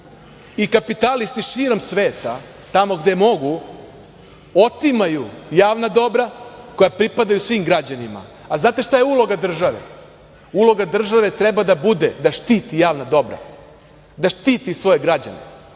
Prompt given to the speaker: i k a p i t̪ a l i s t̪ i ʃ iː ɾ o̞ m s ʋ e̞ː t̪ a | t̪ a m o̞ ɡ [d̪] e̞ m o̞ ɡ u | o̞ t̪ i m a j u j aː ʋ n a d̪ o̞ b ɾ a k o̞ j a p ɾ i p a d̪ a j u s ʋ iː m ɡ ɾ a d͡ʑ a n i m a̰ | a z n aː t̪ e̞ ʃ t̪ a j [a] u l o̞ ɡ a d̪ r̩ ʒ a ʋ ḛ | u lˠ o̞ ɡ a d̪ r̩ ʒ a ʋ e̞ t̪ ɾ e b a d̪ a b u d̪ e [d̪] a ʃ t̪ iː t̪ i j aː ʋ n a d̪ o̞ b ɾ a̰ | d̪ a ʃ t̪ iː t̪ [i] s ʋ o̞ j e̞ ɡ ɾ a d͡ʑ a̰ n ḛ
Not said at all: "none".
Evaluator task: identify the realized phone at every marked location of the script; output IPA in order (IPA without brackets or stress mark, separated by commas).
d̪, e, d̪, i